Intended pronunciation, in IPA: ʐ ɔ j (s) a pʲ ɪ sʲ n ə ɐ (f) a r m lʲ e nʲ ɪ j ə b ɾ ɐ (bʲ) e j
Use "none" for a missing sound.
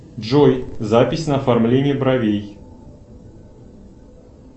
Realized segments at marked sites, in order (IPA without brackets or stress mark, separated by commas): z, f, vʲ